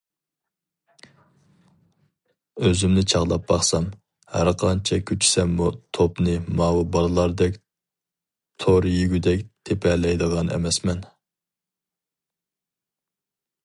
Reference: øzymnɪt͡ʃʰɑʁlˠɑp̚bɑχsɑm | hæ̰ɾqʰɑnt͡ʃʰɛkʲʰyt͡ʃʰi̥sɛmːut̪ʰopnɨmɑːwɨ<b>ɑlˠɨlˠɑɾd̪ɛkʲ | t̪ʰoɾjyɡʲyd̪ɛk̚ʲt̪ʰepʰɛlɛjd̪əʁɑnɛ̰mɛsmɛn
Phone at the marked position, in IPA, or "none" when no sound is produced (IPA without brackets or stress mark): b